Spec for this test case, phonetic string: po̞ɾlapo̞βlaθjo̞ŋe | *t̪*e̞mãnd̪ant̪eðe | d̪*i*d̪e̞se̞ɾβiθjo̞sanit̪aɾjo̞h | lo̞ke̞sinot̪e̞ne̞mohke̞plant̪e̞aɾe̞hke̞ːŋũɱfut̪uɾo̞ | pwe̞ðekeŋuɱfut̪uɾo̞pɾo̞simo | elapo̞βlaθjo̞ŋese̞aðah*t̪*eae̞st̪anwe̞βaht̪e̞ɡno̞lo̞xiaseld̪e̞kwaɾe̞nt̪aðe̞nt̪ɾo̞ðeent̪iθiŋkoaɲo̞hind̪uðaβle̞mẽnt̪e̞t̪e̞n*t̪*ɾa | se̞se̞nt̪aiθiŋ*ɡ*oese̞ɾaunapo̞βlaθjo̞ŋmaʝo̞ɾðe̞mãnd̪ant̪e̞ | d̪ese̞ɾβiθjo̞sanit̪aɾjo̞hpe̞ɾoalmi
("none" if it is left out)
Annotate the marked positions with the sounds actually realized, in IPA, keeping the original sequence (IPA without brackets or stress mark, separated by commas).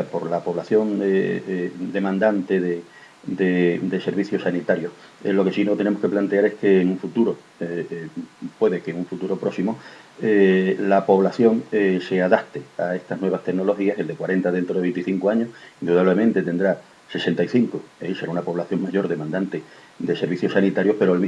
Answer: d̪, e, t̪, d̪, k